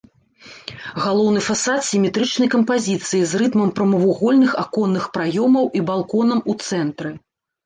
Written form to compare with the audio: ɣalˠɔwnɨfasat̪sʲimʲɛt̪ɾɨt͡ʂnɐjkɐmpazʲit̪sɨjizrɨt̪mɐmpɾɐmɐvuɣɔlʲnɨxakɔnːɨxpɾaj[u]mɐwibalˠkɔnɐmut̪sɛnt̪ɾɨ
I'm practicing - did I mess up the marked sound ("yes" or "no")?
yes